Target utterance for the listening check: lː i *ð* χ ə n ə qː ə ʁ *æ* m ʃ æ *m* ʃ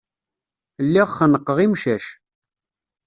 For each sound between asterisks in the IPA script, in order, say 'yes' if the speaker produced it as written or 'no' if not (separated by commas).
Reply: no, no, no